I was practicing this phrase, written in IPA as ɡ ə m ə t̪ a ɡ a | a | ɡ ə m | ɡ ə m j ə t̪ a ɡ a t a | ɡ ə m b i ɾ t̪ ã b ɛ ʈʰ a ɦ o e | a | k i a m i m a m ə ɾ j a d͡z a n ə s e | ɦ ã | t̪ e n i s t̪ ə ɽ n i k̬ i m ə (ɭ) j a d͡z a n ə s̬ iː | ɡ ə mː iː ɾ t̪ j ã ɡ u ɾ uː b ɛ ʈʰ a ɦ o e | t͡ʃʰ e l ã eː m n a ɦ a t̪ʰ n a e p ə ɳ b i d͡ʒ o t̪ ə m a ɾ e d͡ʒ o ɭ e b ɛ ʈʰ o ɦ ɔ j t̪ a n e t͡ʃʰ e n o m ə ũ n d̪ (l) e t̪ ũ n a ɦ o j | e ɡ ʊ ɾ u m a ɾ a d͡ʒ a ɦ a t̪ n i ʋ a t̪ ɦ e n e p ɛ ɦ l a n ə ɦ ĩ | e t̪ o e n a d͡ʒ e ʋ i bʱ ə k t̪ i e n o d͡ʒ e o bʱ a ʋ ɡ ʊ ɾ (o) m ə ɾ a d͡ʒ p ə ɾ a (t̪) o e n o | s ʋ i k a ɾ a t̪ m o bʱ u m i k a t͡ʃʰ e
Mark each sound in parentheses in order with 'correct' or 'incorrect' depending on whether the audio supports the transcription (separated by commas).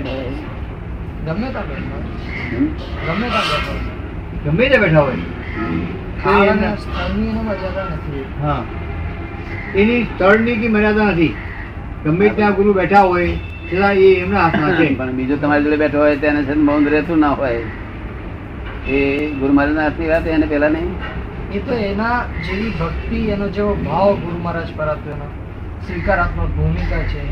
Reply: incorrect, incorrect, incorrect, correct